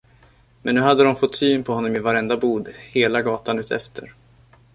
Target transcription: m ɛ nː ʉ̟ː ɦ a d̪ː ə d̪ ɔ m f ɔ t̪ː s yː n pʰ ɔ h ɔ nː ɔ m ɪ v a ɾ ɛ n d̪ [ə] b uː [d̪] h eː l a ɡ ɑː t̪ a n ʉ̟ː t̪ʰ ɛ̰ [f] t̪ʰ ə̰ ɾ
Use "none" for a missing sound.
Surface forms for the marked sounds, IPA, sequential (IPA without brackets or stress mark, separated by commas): a, d̪, f